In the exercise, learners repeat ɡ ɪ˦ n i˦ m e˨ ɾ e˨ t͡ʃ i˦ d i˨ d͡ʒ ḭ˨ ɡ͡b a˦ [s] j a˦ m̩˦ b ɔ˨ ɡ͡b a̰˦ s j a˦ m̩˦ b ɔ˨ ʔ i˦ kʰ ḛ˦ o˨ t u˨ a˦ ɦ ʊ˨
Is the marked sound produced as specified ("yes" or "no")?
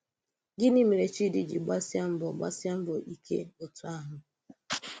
yes